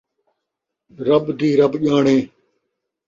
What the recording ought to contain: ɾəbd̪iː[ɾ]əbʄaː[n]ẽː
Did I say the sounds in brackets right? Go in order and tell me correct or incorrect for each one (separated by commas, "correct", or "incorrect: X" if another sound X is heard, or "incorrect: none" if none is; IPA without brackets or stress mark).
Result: correct, incorrect: ɳ